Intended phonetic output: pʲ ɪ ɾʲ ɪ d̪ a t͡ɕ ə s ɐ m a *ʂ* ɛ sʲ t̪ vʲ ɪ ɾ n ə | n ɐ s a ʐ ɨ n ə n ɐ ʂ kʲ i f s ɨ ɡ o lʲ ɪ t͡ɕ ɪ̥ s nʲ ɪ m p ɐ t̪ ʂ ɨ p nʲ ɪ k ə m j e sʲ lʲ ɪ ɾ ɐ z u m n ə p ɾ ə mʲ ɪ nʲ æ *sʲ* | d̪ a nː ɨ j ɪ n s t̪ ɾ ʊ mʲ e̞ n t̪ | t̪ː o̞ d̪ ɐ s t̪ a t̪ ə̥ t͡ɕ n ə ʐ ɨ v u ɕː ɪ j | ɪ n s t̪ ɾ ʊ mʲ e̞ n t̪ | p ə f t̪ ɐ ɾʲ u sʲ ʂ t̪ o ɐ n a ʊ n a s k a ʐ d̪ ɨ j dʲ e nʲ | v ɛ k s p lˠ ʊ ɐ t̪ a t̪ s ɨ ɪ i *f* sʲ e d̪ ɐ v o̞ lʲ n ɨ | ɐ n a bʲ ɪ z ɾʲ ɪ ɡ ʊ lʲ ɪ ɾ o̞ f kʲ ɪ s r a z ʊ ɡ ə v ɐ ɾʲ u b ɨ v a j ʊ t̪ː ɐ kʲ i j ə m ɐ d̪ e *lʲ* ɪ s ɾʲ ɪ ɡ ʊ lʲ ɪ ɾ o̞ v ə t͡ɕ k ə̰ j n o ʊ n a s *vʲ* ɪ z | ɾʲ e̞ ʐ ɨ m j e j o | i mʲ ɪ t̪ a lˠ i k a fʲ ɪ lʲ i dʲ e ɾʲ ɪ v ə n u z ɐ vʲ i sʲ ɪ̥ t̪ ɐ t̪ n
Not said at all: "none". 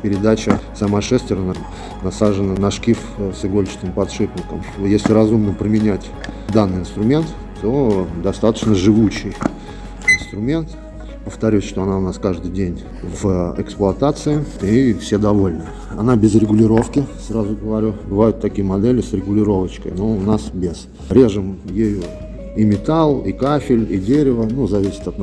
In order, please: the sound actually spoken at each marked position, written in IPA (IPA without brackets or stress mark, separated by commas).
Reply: ʂ, tʲ, f, lʲ, bʲ